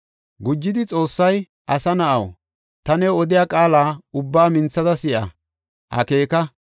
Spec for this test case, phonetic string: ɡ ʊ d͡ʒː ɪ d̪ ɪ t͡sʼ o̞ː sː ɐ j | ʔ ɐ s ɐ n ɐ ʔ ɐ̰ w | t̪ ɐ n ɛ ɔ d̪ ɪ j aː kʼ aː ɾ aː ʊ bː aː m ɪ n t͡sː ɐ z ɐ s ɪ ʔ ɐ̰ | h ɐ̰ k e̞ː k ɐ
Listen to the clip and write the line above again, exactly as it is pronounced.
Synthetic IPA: ɡ ʊ d͡ʒː ɪ d̪ ɪ t͡sʼ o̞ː sː ɐ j | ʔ ɐ s ɐ n ɐ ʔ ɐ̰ w | t̪ ɐ n ɛ ɔ d̪ ɪ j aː kʼ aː l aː ʊ bː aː m ɪ n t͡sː ɐ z ɐ s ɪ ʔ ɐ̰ | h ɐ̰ k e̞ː k ɐ